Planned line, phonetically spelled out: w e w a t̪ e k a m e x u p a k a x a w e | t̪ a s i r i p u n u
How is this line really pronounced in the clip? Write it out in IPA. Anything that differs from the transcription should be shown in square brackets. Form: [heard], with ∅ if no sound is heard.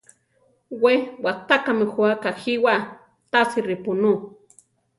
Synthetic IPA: w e w a t̪ [a] k a m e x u [∅] a k a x [i] w [a] | t̪ a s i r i p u n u